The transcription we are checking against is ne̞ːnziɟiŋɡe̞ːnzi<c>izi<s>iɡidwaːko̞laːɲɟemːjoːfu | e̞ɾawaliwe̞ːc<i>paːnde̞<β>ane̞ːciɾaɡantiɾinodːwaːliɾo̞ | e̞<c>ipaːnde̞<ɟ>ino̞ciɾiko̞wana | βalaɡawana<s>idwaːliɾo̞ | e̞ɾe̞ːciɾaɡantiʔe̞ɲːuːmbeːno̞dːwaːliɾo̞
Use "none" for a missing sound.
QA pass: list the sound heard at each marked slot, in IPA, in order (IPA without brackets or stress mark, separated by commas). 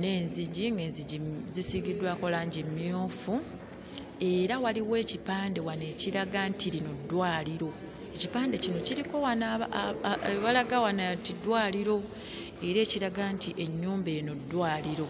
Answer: ɟ, s, i, w, c, c, t